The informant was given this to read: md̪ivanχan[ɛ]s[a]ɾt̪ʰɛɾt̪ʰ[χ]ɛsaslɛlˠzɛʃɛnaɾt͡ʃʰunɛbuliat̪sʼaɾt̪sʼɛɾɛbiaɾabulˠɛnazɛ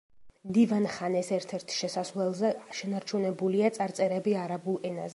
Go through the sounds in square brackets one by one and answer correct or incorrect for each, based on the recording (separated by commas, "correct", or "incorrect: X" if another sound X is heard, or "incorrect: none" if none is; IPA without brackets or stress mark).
correct, incorrect: ɛ, incorrect: ʃ